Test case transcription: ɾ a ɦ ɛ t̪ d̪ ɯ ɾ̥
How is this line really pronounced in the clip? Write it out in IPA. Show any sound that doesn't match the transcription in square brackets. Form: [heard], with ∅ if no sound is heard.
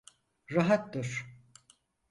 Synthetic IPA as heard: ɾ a ɦ [a] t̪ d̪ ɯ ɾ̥